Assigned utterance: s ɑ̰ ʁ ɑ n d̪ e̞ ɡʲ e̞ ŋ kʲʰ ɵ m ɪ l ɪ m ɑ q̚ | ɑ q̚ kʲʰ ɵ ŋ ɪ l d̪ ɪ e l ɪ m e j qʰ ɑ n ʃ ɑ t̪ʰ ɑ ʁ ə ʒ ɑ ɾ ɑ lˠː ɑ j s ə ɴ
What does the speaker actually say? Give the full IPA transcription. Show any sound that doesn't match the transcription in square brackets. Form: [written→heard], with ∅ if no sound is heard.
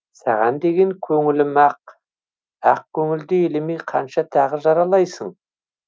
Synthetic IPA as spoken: s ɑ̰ ʁ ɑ n d̪ e̞ ɡʲ e̞ ŋ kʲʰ ɵ [m→ŋ] ɪ l ɪ m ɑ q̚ | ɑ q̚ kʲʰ ɵ ŋ ɪ l d̪ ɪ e l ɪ m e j qʰ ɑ n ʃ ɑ t̪ʰ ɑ ʁ ə ʒ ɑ ɾ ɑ [lˠː→lˠ] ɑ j s ə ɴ